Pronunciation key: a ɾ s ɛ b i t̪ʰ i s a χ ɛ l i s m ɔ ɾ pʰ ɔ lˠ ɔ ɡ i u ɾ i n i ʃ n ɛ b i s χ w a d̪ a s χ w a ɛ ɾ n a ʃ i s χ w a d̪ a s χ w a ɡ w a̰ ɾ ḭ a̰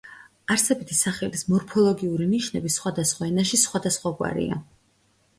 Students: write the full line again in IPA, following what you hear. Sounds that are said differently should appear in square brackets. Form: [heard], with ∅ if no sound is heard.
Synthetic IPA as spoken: a ɾ s ɛ b i t̪ʰ i s a χ ɛ l i s m ɔ ɾ pʰ ɔ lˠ ɔ ɡ i u ɾ i n i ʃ n ɛ b i s χ w a d̪ a s χ w a ɛ [∅] n a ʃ i s χ w a d̪ a s χ w a ɡ w a̰ ɾ ḭ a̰

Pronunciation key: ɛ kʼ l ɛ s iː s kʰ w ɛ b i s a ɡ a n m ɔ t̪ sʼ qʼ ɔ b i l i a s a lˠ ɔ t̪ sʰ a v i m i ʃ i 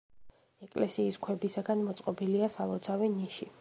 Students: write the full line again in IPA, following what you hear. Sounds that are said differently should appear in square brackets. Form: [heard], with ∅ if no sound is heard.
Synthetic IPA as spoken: ɛ kʼ l ɛ s iː s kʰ w ɛ b i s a ɡ a n m ɔ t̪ sʼ qʼ ɔ b i l i a s a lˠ ɔ t̪ sʰ a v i [n] i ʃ i

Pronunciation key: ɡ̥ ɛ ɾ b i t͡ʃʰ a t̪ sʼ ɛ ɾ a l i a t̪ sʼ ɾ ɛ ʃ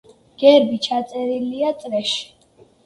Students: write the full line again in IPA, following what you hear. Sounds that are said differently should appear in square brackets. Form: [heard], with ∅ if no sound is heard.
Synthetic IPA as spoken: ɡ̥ ɛ ɾ b i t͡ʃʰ a t̪ sʼ ɛ ɾ [i] l i a t̪ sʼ ɾ ɛ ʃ

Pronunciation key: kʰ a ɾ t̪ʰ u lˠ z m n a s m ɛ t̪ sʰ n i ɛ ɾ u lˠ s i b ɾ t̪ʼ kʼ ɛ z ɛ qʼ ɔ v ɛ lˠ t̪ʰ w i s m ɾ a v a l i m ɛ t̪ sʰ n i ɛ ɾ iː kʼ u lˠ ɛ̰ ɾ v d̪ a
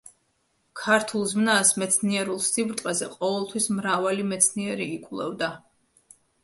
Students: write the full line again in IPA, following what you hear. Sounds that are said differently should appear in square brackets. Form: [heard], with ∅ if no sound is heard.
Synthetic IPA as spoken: kʰ a ɾ t̪ʰ u lˠ z m n a s m ɛ t̪ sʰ n i ɛ ɾ u lˠ s i b ɾ t̪ʼ [qʼ] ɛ z ɛ qʼ ɔ v ɛ lˠ t̪ʰ w i s m ɾ a v a l i m ɛ t̪ sʰ n i ɛ ɾ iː kʼ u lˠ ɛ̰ [∅] v d̪ a

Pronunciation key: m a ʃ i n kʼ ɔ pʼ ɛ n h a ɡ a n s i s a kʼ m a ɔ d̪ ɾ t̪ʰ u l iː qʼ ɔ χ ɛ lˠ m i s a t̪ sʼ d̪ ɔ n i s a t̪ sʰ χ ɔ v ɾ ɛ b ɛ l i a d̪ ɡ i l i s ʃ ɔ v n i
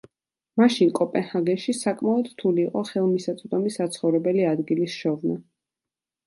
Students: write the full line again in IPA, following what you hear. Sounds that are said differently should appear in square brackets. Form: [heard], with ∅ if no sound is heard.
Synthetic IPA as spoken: m a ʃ i n kʼ ɔ pʼ ɛ n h a ɡ [ɛ] n [ʃ] i s a kʼ m a ɔ d̪ ɾ t̪ʰ u l iː qʼ ɔ χ ɛ lˠ m i s a t̪ sʼ d̪ ɔ [m] i s a t̪ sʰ χ ɔ v ɾ ɛ b ɛ l i a d̪ ɡ i l i s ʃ ɔ v n [a]

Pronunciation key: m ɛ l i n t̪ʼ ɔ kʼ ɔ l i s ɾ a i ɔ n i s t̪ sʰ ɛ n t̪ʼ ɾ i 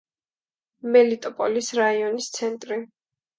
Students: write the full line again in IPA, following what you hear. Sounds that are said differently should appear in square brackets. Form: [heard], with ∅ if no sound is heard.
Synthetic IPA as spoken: m ɛ l i [∅] t̪ʼ ɔ [pʼ] ɔ l i s ɾ a i ɔ n i s t̪ sʰ ɛ n t̪ʼ ɾ i

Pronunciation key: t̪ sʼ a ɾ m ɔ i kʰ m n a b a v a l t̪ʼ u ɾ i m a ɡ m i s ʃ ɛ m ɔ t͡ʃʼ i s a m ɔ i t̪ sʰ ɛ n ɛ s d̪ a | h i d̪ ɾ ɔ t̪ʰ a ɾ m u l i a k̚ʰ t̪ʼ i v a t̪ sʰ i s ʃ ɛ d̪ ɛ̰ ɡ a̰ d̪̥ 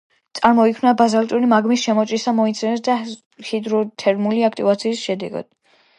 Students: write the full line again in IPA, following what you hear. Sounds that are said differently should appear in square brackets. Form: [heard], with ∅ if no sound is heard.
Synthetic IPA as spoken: t̪ sʼ a ɾ m ɔ i kʰ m n a b a [z] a l t̪ʼ u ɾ i m a ɡ m i s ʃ ɛ m ɔ t͡ʃʼ i s a m ɔ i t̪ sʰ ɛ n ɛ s d̪ a | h i d̪ ɾ ɔ t̪ʰ [ɛ] ɾ m u l i a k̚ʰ t̪ʼ i v a t̪ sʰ [iː] s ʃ ɛ d̪ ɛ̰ ɡ a̰ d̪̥

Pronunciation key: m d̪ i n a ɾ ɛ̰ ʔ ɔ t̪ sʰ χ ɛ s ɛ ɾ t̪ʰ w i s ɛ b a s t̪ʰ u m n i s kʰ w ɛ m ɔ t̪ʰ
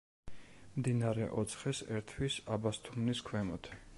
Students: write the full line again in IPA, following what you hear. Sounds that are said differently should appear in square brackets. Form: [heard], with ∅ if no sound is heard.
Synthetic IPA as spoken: m d̪ i n a ɾ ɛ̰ ʔ ɔ t̪ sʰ χ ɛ s ɛ ɾ t̪ʰ w i s [a] b a s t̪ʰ u m n i s kʰ w ɛ m ɔ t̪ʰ

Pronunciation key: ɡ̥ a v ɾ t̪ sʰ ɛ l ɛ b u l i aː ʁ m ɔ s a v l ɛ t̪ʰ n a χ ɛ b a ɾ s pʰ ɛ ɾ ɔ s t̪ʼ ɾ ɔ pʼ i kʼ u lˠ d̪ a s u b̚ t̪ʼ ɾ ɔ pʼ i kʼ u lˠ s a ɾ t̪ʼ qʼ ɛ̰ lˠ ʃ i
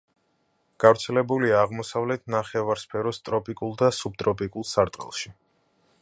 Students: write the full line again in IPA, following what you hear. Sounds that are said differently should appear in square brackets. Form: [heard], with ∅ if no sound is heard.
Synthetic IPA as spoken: ɡ̥ a v ɾ t̪ sʰ ɛ l ɛ b u l i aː ʁ m ɔ s a v l ɛ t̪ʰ n a χ ɛ [v] a ɾ s pʰ ɛ ɾ ɔ s t̪ʼ ɾ ɔ pʼ i kʼ u lˠ d̪ a s u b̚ t̪ʼ ɾ ɔ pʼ i kʼ u lˠ s a ɾ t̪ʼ qʼ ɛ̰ lˠ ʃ i

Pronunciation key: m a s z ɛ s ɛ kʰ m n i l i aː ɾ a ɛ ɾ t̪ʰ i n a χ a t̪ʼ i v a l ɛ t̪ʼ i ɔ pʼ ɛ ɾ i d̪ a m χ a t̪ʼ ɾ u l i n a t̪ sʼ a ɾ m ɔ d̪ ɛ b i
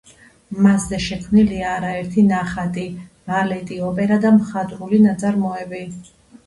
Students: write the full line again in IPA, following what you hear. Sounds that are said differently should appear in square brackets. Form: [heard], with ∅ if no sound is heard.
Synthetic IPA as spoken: m a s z ɛ [ʃ] ɛ kʰ m n i l i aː ɾ a ɛ ɾ t̪ʰ i n a χ a t̪ʼ i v a l ɛ t̪ʼ i ɔ pʼ ɛ ɾ [a] d̪ a m χ a t̪ʼ ɾ u l i n a t̪ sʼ a ɾ m ɔ [∅] ɛ b i

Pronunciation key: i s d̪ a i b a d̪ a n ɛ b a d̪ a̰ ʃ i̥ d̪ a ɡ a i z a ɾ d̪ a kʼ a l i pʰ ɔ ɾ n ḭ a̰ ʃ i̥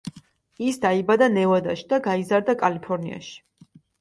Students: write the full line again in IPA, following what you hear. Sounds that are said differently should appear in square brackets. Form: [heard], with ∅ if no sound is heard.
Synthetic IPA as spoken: i s d̪ a i b a d̪ a n ɛ [v] a d̪ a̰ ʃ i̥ d̪ a ɡ a i z a ɾ d̪ a kʼ a l i pʰ ɔ ɾ n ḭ a̰ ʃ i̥

